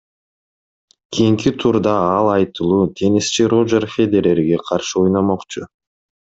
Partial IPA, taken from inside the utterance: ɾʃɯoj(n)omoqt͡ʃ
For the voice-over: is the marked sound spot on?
yes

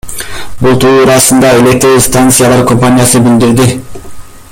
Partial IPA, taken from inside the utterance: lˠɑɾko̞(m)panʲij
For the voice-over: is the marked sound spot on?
yes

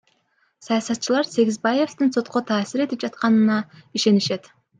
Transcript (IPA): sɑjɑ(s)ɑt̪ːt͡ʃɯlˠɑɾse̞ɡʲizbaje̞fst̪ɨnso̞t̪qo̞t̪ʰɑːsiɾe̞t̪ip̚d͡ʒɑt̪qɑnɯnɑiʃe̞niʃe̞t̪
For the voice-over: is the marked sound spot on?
yes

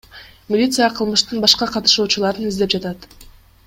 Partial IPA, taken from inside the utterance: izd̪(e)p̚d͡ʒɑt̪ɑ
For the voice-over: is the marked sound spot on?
yes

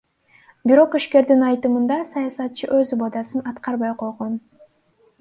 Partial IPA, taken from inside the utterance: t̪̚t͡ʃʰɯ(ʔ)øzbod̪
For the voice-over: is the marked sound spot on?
yes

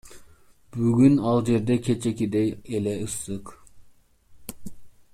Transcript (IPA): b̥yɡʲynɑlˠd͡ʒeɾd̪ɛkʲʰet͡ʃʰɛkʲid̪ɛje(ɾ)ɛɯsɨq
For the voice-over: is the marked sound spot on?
no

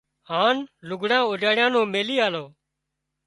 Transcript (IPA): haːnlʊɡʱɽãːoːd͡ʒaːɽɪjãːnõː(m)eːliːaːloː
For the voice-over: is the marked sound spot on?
yes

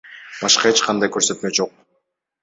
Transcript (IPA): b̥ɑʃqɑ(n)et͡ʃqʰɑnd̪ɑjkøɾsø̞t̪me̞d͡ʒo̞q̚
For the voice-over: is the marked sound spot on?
no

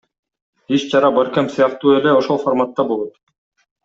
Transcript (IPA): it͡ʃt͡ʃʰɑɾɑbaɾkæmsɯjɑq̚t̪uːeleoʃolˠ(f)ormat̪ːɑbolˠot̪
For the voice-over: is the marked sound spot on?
yes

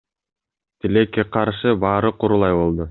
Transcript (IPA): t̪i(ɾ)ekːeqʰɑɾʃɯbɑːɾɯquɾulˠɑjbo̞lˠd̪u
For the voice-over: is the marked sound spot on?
no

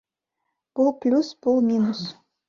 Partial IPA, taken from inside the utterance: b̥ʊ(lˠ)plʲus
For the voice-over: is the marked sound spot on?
yes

